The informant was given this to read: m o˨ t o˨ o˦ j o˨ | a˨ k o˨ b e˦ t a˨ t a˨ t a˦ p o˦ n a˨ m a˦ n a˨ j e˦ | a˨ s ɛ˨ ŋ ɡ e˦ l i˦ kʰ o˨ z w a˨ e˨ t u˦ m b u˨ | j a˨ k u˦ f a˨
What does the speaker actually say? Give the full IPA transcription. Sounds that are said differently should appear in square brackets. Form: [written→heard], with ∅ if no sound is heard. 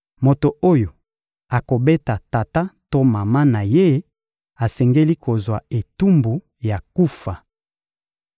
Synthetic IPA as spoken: m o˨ t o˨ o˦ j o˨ | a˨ k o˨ b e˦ t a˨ t a˨ t a˦ [p→t] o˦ [n→m] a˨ m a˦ n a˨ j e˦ | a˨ s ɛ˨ ŋ ɡ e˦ l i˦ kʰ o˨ z w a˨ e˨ t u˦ m b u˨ | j a˨ k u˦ f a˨